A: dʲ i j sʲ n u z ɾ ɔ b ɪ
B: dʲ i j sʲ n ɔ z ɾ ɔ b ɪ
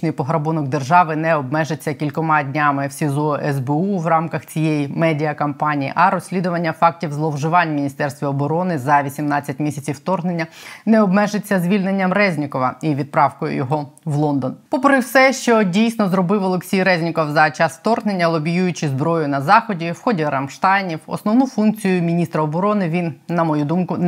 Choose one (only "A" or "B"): B